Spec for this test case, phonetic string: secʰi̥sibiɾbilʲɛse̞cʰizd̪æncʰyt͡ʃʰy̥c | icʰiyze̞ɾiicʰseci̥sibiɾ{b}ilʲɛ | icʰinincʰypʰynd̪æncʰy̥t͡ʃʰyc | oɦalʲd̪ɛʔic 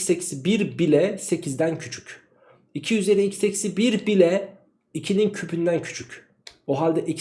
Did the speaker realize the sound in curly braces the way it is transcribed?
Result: yes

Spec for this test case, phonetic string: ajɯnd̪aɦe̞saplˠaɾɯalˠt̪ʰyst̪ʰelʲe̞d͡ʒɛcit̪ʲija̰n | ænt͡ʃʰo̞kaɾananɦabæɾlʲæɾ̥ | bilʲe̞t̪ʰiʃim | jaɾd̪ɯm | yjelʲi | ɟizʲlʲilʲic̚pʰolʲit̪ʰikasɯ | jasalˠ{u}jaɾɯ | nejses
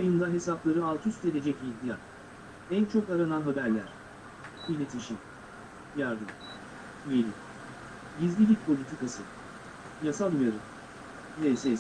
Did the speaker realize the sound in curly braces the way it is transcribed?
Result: yes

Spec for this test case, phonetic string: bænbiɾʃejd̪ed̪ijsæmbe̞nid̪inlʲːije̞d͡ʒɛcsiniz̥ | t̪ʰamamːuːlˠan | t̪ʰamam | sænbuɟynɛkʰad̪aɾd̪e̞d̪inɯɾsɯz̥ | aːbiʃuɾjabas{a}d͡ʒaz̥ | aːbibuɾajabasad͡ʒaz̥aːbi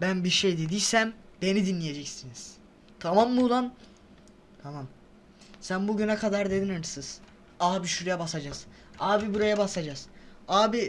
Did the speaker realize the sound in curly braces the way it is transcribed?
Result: yes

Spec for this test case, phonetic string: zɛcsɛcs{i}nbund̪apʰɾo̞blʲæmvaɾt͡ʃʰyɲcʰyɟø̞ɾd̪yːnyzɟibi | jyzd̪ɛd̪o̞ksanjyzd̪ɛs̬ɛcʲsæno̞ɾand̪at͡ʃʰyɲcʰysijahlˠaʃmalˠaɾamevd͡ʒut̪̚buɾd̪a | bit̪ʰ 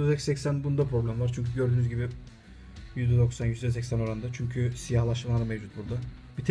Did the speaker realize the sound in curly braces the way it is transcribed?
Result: no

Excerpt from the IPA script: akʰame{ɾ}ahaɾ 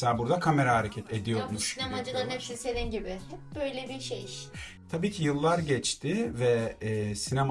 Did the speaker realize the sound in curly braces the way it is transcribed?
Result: yes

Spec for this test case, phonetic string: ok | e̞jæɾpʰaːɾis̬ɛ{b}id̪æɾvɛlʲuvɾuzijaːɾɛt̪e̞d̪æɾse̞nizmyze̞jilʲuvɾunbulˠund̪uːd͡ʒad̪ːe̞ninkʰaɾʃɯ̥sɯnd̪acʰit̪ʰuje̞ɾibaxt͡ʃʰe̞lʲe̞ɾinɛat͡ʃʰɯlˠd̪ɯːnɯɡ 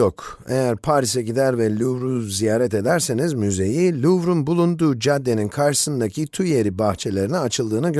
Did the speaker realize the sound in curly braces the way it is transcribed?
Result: no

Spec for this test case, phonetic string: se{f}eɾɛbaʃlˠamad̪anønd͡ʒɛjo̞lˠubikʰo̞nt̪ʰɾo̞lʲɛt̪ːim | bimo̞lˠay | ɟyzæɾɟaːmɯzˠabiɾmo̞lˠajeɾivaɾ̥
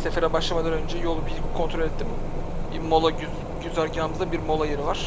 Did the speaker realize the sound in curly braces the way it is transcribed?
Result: yes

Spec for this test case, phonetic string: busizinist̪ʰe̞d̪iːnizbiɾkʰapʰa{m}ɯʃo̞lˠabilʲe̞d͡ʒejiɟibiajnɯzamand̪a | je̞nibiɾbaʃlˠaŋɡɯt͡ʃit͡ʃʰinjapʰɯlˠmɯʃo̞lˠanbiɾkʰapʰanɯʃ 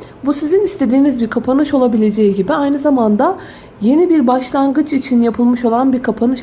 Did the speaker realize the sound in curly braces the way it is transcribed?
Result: no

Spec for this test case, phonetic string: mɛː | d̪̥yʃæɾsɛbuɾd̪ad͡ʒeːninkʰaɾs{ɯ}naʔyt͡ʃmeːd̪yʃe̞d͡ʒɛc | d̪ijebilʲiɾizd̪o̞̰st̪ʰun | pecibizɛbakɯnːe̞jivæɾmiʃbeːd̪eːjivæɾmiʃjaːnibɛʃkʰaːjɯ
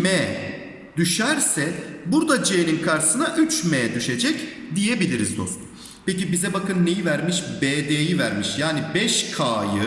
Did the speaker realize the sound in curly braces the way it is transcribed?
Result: yes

